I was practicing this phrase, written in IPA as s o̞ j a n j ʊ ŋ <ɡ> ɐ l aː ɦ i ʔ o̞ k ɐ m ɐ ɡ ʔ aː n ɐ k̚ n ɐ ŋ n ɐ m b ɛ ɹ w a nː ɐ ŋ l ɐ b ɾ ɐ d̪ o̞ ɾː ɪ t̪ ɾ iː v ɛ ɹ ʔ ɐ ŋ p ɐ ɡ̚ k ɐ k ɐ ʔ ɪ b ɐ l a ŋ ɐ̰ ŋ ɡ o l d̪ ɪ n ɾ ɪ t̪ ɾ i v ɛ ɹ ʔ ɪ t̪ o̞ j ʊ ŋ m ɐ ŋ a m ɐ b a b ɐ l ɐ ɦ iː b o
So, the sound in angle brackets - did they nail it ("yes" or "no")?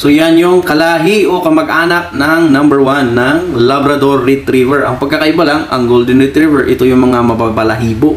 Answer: no